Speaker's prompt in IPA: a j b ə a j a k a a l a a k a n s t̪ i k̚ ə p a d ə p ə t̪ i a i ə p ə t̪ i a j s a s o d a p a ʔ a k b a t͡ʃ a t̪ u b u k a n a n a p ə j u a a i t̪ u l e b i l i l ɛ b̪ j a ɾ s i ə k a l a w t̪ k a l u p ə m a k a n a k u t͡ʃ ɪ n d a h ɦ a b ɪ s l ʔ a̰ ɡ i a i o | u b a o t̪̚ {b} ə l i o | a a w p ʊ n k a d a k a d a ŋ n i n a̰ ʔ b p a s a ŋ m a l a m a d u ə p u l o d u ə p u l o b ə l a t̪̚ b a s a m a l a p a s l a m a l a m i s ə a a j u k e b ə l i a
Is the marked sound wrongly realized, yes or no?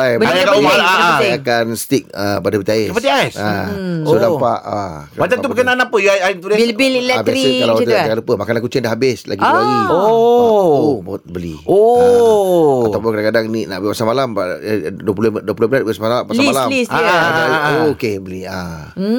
no